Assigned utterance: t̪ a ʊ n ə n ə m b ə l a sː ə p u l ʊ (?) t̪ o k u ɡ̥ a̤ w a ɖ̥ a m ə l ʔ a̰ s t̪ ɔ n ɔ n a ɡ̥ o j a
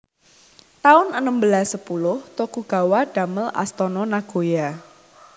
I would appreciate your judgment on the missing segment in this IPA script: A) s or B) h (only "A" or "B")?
B